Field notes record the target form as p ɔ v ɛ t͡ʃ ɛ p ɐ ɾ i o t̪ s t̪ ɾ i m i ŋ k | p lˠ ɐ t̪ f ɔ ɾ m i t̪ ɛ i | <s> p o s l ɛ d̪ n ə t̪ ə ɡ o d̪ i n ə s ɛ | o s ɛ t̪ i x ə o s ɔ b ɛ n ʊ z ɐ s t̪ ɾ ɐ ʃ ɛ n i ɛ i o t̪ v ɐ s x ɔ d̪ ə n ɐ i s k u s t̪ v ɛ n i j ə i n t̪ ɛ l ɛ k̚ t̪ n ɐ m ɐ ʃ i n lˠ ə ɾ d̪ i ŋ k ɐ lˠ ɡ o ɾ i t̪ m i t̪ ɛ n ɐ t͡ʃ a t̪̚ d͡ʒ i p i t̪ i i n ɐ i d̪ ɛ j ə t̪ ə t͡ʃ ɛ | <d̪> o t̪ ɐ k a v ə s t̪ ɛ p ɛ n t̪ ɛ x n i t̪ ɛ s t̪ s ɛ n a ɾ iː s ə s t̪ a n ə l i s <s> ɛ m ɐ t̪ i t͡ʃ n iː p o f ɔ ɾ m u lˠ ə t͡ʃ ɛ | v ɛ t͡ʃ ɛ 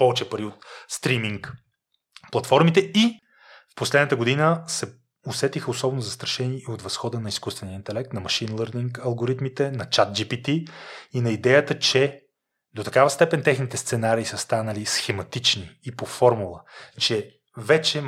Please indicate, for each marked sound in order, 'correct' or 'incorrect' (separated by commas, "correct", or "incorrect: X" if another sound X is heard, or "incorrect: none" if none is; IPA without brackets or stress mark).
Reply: incorrect: f, correct, incorrect: x